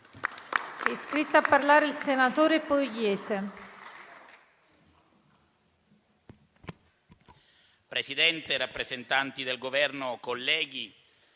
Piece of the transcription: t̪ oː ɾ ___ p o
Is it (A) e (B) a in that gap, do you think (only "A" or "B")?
A